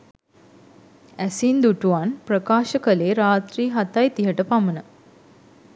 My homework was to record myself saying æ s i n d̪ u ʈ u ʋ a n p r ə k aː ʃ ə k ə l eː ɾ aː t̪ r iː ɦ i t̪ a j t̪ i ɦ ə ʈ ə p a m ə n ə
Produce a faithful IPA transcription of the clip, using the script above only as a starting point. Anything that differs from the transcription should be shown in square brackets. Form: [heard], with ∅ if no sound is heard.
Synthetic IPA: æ s i n d̪ u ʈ u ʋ a n p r ə k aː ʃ ə k ə l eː ɾ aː t̪ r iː ɦ [a] t̪ a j t̪ i ɦ ə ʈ ə p a m ə n ə